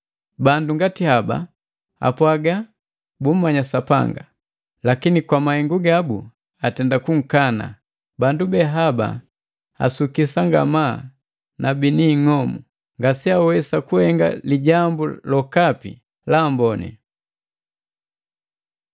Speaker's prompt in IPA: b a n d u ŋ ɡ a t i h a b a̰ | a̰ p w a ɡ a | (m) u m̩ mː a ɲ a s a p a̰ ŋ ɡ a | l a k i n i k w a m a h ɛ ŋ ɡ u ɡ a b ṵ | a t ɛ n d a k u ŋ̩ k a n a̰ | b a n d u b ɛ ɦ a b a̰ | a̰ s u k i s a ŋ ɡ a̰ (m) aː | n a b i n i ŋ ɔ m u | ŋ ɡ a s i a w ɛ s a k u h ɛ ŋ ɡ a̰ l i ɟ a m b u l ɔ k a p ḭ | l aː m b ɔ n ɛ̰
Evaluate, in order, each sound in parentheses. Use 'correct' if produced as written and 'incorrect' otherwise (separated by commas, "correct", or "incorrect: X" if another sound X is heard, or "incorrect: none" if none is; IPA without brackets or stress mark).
incorrect: b, correct